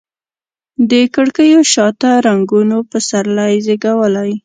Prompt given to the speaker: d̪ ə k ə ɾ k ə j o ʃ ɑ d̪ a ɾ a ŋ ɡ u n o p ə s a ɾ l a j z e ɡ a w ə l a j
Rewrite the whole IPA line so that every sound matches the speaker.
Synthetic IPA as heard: d̪ ə k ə ɽ k ə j o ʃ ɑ t̪ a ɾ a ŋ ɡ u n o p ə s a ɾ l a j z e ɡ a w ə l a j